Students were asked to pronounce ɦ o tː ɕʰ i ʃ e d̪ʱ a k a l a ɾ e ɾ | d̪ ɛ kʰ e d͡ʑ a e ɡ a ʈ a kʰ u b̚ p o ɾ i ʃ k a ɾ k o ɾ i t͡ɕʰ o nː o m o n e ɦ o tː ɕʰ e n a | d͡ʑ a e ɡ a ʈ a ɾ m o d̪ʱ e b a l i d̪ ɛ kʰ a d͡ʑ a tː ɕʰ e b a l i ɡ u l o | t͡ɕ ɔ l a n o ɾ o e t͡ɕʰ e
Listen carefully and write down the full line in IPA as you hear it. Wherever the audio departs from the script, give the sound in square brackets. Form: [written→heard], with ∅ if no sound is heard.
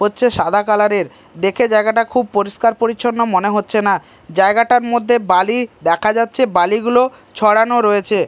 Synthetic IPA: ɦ o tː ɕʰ [i→e] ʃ [e→a] d̪ʱ a k a l a ɾ e ɾ | d̪ [ɛ→e] kʰ e d͡ʑ a e ɡ a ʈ a kʰ u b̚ p o ɾ i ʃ k a ɾ [k→p] o ɾ i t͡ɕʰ o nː o m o n e ɦ o tː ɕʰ e n a | d͡ʑ a e ɡ a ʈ a ɾ m o [d̪ʱ→d̪ʱː] e b a l i d̪ ɛ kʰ a d͡ʑ a tː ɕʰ e b a l i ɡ u l o | [t͡ɕ→t͡ɕʰ] ɔ [l→ɽ] a n o ɾ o e t͡ɕʰ e